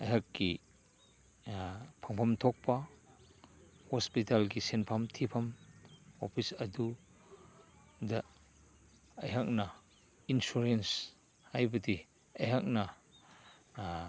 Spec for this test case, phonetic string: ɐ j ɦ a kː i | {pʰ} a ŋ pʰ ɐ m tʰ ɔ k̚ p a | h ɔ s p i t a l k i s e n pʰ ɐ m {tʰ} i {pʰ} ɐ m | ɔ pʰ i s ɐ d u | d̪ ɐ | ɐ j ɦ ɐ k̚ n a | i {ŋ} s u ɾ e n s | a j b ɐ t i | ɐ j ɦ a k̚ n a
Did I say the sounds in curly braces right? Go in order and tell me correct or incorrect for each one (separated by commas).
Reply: correct, correct, correct, incorrect